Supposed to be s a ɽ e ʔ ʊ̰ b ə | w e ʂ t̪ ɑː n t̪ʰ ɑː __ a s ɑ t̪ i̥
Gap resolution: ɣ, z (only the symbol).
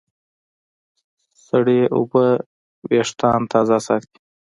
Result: z